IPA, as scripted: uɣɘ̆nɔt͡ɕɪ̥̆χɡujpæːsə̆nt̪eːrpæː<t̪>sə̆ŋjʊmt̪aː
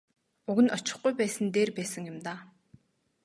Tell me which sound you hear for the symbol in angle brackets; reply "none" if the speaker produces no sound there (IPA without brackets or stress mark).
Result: none